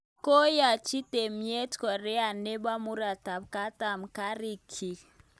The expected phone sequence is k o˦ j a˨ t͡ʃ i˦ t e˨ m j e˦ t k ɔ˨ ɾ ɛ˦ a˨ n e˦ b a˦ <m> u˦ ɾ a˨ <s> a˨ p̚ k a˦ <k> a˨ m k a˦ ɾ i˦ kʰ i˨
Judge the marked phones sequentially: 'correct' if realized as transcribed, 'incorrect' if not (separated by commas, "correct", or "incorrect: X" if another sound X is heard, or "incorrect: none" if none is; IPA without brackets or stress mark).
correct, incorrect: t, incorrect: t